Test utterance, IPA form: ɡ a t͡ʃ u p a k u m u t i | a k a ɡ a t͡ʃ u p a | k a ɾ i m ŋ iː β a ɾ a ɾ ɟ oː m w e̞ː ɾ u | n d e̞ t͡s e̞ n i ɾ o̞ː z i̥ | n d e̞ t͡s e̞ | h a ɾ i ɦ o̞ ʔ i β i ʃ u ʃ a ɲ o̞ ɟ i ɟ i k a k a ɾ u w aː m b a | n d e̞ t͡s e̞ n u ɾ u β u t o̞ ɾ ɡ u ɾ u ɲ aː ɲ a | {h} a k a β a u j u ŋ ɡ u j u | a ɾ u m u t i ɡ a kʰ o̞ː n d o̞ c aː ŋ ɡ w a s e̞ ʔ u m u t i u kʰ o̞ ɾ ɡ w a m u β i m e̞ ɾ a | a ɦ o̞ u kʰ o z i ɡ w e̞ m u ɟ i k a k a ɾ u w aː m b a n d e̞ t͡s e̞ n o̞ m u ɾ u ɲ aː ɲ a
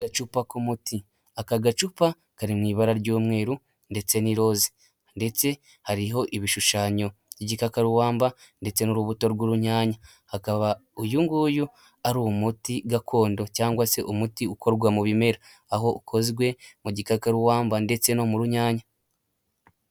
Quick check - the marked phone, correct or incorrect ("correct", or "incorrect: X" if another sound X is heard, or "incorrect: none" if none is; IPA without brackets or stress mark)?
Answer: correct